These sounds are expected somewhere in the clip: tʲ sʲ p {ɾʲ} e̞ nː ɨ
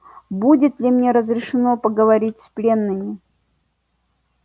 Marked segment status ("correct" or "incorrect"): incorrect